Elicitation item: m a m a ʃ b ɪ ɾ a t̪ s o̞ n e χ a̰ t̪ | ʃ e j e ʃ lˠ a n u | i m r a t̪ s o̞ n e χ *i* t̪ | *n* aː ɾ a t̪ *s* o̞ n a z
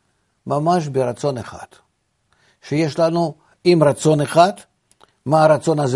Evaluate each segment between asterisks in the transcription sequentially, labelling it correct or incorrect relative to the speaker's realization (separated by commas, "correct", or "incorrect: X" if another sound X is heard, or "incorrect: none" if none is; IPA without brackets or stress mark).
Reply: incorrect: a, incorrect: m, correct